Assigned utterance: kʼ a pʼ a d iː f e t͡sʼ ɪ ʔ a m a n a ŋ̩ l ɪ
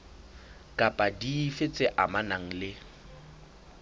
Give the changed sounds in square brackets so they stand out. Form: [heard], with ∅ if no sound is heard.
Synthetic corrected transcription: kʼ a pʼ a d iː f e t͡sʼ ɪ ʔ a m a n a ŋ̩ l ɪ